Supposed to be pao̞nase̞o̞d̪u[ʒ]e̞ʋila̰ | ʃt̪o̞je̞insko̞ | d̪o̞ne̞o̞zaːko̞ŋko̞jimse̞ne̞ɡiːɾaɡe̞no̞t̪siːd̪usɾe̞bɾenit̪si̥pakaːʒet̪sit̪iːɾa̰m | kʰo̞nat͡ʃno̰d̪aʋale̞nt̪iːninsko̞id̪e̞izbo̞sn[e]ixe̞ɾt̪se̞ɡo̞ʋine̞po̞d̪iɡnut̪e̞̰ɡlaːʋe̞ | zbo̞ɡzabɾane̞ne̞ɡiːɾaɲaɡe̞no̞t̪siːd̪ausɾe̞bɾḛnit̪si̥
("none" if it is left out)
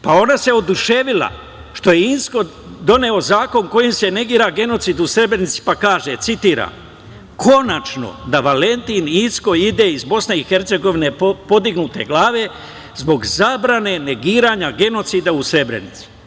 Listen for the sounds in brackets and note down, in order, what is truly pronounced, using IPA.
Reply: ʃ, e

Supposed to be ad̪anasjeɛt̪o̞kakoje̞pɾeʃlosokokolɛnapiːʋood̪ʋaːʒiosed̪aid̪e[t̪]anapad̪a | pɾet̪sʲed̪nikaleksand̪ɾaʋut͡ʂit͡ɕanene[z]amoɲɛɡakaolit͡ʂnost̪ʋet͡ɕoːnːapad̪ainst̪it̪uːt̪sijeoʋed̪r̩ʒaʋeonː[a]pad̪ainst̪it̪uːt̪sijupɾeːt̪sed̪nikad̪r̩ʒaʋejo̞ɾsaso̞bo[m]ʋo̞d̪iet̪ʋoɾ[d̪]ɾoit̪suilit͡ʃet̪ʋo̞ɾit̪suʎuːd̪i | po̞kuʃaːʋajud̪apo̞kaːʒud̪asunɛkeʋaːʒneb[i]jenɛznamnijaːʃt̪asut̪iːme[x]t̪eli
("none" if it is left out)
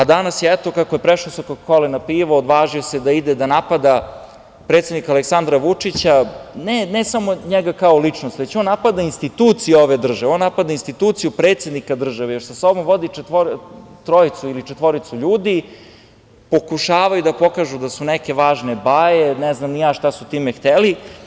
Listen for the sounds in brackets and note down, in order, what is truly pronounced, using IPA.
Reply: d̪, s, a, m, t̪, a, x

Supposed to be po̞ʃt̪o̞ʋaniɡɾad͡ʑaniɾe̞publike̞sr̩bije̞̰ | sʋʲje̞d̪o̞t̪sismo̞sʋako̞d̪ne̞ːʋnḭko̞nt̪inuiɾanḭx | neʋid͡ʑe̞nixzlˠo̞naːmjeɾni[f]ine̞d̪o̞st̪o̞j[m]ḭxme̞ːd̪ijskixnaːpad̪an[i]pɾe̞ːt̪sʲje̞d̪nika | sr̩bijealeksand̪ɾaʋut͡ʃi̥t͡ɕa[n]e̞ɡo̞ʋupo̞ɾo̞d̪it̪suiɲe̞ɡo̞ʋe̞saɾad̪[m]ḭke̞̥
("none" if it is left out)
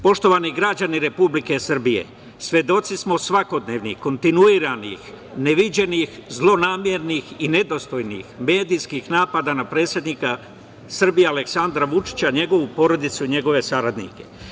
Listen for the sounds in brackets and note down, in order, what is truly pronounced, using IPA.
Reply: x, n, a, ɲ, n

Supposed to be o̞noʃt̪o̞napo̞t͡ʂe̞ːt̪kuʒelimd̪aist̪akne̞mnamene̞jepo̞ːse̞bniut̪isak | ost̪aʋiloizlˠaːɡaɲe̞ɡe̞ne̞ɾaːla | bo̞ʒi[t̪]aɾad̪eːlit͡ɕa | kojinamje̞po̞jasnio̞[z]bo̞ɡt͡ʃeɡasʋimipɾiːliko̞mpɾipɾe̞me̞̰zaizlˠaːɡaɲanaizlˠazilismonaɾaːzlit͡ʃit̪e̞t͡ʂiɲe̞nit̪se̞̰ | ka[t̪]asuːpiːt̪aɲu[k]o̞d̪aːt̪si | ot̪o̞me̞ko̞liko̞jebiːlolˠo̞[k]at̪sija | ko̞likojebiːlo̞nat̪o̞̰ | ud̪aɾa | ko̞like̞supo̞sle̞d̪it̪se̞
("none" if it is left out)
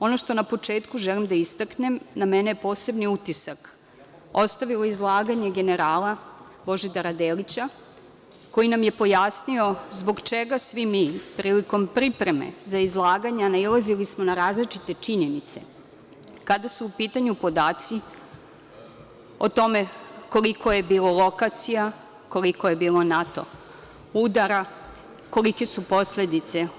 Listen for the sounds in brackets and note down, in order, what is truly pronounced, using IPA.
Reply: d̪, z, d̪, p, k

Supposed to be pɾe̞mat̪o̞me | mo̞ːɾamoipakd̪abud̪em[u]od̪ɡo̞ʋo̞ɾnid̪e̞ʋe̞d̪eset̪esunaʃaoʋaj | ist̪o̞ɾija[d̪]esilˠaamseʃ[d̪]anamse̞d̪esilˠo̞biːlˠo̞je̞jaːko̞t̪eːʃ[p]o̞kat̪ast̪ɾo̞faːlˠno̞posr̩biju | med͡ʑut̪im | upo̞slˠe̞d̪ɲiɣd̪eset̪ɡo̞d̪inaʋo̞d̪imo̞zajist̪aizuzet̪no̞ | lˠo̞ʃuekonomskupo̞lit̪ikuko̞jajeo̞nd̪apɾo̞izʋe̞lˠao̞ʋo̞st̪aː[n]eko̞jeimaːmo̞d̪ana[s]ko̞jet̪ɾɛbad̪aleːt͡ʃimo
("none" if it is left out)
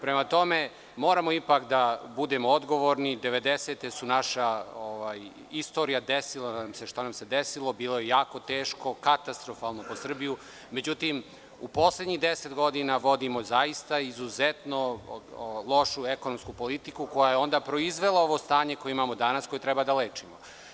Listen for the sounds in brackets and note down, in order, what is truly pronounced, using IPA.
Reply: o, d̪, t̪, k, ɲ, s

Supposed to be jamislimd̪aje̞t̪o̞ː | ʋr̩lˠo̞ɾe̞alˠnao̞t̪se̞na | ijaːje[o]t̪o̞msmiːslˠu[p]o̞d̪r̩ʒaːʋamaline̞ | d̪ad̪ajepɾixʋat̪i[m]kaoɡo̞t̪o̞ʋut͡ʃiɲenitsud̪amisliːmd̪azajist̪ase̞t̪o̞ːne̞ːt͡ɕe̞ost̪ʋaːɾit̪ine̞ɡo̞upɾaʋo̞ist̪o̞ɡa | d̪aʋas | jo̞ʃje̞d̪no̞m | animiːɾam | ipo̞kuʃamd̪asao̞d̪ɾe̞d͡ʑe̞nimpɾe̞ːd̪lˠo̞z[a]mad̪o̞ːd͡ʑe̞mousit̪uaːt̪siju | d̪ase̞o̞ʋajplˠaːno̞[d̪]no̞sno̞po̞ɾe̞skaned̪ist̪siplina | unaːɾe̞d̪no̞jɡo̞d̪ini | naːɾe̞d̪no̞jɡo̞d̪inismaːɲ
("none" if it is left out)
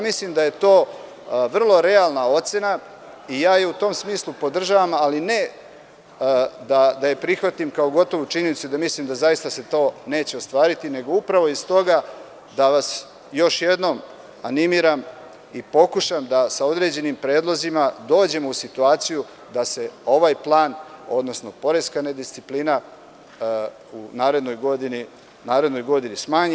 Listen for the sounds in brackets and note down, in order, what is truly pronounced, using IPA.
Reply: u, p, m, i, d̪

